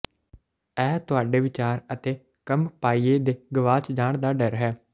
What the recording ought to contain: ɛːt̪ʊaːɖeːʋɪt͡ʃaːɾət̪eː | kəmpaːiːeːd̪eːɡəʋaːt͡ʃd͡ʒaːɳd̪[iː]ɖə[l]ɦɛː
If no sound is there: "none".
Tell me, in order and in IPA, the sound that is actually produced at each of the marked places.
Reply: aː, ɾ

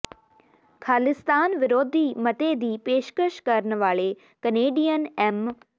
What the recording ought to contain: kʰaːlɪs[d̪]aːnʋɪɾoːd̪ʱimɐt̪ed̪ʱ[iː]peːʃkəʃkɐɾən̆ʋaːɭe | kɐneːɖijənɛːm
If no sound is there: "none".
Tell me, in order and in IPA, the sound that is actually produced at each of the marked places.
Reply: t̪, iː

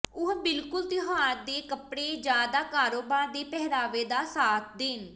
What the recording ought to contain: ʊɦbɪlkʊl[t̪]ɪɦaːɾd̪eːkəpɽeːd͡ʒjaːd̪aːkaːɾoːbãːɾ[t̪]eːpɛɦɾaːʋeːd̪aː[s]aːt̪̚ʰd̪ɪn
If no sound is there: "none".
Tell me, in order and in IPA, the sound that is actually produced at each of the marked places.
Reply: t̪, d̪, s

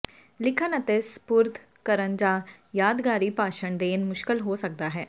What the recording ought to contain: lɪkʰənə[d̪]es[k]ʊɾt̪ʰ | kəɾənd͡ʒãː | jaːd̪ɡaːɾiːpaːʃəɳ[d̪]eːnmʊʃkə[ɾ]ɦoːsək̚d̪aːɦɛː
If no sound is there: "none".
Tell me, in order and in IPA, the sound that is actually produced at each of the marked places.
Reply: t̪, p, d̪, l

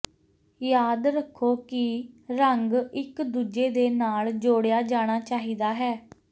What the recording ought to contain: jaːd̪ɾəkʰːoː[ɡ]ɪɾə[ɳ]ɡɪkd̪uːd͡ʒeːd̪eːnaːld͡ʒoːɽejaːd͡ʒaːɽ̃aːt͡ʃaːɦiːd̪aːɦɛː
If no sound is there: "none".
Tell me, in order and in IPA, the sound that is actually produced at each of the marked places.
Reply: k, ŋ

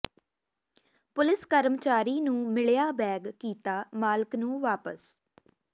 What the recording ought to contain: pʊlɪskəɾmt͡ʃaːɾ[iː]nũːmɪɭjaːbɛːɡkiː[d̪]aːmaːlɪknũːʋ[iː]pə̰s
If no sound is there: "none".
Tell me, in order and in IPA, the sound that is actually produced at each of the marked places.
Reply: iː, t̪, aː

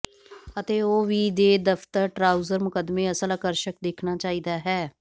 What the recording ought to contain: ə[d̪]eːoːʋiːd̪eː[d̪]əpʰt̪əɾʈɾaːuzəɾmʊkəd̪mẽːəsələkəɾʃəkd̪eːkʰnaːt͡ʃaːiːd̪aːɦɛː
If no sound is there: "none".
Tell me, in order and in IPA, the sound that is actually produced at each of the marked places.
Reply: t̪, d̪

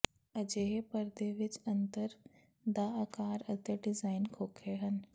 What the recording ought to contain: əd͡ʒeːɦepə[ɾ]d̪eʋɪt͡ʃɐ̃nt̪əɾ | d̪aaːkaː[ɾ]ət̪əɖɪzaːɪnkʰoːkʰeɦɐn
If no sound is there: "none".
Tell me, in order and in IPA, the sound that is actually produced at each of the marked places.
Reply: ɾ, ɾ

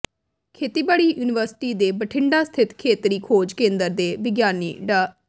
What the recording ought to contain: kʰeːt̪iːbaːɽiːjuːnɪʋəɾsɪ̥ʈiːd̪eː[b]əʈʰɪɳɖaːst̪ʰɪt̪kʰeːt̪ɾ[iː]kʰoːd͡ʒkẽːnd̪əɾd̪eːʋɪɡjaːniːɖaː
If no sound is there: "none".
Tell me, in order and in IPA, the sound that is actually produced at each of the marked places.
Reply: b, iː

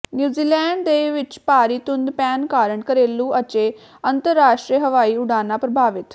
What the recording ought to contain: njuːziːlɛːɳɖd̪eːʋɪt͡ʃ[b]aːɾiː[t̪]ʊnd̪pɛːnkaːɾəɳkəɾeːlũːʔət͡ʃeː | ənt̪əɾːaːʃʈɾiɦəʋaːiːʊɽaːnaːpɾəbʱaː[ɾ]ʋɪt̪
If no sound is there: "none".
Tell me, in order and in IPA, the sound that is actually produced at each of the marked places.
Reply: p, t̪, none

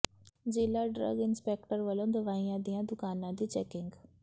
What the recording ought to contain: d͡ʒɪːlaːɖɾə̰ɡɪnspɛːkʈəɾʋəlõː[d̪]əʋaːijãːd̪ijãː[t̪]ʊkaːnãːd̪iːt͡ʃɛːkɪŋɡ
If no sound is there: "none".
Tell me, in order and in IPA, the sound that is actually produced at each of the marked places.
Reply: d̪, d̪

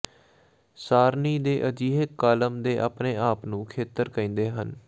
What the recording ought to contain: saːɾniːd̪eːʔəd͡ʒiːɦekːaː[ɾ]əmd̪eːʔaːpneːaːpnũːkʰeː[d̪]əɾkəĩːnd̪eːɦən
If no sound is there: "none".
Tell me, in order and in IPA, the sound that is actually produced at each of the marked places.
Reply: l, t̪

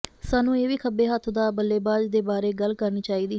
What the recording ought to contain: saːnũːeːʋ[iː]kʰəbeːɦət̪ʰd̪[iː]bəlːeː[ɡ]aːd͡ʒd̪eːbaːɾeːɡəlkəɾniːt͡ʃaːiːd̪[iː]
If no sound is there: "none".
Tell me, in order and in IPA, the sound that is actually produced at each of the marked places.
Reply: iː, aː, b, iː

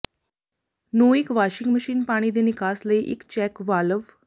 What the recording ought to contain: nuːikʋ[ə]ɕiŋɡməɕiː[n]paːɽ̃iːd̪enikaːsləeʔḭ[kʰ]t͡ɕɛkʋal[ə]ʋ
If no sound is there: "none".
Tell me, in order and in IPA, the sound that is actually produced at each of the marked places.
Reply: a, n, k, ə

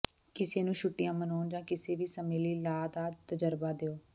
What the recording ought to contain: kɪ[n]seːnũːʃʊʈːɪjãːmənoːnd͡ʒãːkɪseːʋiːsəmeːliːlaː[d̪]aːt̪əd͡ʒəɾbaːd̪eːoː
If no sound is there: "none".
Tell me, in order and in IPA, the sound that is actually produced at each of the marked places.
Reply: none, d̪

